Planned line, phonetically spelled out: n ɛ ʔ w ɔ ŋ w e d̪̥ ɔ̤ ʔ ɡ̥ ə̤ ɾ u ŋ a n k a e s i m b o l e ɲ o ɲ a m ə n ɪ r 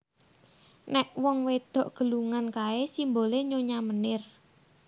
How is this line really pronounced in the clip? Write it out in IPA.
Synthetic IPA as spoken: n ɛ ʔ w ɔ ŋ w e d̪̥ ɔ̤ ʔ ɡ̥ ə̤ l u ŋ a n k a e s i m b o l e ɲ o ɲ a m ə n ɪ r